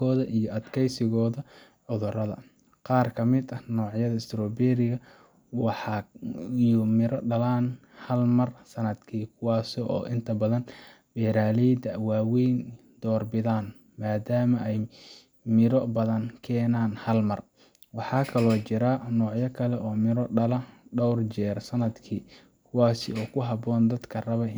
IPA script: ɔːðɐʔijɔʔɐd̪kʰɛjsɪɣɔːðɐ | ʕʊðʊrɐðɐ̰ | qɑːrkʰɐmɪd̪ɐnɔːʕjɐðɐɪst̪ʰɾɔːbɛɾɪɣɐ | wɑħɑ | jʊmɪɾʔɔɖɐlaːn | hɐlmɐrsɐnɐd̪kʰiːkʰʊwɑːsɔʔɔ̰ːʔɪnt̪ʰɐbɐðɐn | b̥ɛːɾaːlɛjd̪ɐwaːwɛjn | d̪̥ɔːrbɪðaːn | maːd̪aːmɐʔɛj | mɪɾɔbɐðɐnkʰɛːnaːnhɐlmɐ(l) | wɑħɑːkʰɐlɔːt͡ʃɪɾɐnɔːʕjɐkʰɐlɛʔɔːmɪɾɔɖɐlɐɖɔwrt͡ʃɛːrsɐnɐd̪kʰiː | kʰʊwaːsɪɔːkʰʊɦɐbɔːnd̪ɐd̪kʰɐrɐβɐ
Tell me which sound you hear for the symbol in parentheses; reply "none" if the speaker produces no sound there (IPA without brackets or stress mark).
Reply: r